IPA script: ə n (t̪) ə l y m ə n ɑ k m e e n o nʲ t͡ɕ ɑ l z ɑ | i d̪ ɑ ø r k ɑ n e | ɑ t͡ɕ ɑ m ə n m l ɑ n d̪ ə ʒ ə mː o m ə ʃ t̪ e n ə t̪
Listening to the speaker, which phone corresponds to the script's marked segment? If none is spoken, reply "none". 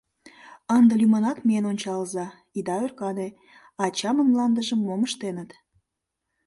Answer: d̪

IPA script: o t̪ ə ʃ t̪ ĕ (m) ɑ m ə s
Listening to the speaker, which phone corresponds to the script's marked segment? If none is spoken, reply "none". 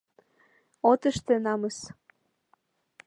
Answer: n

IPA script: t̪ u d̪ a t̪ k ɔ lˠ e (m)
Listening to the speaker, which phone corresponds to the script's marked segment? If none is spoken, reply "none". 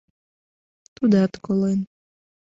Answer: n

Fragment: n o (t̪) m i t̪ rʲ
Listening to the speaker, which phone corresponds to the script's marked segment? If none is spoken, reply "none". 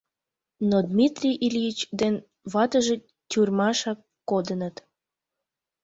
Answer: d̪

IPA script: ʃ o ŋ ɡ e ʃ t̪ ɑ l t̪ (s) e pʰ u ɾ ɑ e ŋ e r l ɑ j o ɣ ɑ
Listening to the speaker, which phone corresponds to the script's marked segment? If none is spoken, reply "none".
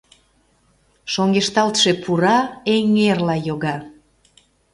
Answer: ʃ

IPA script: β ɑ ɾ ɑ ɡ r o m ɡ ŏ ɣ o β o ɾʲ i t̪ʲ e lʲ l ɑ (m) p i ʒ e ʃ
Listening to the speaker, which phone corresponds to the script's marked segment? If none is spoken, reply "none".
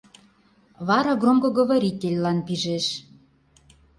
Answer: n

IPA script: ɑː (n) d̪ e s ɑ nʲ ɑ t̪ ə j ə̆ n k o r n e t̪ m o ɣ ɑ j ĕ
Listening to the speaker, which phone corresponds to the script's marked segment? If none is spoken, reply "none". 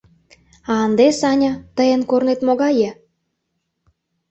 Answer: n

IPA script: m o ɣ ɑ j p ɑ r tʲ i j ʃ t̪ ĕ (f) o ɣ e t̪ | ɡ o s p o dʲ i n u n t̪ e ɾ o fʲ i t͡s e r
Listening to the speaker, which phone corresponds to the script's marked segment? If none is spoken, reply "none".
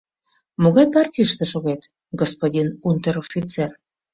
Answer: ʃ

